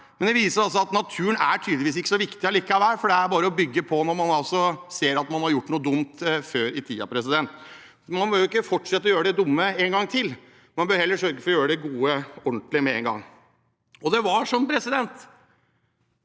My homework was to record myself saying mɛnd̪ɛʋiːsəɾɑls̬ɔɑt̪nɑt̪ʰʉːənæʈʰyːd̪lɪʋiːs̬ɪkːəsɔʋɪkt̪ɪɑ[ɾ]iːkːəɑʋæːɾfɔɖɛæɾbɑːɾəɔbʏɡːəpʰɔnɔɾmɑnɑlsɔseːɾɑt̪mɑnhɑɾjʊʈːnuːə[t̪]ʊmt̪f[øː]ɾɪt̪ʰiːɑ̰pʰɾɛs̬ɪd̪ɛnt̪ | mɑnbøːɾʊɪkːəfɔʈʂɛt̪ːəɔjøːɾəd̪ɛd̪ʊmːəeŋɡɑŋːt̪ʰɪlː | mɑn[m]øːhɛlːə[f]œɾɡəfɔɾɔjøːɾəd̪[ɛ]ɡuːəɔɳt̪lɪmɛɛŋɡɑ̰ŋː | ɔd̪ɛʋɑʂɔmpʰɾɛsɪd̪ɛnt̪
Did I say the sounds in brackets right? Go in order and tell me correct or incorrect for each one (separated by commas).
incorrect, incorrect, correct, incorrect, incorrect, correct